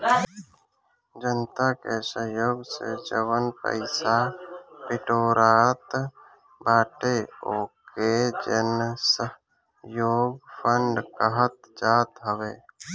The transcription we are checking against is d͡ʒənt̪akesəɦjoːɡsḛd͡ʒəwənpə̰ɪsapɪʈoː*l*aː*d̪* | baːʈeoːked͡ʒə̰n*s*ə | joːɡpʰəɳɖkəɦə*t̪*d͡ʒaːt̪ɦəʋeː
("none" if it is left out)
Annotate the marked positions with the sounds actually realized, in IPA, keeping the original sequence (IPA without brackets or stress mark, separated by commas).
ɾ, t̪, s, t̪